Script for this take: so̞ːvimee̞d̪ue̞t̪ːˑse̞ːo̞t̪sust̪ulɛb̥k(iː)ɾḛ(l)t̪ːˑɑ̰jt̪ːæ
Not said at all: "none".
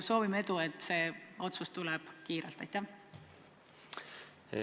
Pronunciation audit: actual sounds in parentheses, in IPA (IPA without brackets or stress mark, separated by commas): iː, l